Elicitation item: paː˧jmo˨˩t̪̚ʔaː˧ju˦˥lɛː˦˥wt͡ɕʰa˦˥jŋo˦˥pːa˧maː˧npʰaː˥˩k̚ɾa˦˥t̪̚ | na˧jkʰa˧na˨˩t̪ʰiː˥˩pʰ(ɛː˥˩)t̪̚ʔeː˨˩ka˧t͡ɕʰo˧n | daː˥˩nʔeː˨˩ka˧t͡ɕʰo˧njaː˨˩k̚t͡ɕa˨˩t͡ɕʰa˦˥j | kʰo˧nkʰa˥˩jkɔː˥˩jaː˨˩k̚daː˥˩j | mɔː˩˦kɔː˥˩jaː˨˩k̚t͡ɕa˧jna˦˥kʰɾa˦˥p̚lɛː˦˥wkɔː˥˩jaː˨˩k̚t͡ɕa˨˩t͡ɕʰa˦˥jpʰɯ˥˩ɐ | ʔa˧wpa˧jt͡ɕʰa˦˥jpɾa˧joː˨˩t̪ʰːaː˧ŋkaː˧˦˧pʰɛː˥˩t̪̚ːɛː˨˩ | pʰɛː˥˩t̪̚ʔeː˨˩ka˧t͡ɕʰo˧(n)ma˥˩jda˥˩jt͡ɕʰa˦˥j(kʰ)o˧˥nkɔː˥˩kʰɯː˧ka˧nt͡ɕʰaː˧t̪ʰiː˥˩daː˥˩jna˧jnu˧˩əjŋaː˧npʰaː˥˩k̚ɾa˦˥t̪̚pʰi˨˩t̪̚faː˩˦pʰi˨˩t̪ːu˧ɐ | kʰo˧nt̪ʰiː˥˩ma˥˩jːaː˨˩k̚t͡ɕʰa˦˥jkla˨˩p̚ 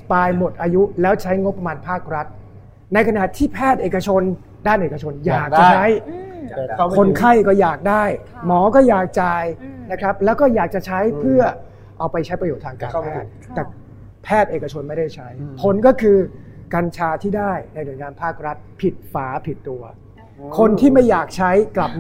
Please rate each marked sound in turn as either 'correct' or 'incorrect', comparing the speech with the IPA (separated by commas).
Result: correct, correct, incorrect